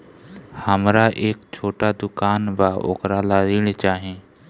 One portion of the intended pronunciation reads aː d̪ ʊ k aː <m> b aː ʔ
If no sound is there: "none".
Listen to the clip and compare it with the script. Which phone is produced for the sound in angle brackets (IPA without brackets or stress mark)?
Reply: n